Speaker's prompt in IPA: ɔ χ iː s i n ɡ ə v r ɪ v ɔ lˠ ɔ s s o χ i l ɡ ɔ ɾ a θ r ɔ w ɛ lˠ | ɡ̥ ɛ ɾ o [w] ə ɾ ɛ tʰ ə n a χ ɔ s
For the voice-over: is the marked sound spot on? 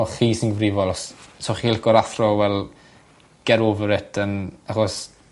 no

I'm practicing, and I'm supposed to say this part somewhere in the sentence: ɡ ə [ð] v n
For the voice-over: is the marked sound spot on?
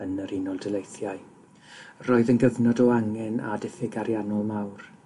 no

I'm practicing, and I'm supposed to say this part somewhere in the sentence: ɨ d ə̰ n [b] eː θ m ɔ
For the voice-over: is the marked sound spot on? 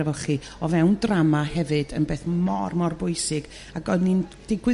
yes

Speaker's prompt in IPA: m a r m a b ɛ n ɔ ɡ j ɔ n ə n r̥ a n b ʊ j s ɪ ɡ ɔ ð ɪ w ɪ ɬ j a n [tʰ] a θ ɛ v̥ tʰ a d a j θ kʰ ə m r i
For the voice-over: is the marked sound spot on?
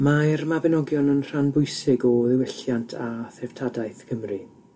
yes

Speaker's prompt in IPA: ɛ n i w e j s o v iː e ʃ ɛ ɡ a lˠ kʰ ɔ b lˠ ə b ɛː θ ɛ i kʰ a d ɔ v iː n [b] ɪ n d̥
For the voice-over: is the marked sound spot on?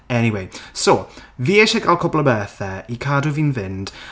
no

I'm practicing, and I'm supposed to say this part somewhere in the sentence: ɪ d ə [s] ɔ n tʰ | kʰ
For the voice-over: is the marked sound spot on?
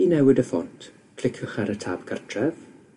no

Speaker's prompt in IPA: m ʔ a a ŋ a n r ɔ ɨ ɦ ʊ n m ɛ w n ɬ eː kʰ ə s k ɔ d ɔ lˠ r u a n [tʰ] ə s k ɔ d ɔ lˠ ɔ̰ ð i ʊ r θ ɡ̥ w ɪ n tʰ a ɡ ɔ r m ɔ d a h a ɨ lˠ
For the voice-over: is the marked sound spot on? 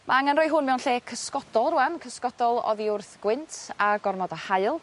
no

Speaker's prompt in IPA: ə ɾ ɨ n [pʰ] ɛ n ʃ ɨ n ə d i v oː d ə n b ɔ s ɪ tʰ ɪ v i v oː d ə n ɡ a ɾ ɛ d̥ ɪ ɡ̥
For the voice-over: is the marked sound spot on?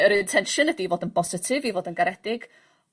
no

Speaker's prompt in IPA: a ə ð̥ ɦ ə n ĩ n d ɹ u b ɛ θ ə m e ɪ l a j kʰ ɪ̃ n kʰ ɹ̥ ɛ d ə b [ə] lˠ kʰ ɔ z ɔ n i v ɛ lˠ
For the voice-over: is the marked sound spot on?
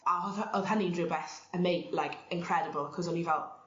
yes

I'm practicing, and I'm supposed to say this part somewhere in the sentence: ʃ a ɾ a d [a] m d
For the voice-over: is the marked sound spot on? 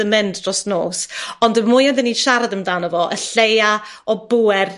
no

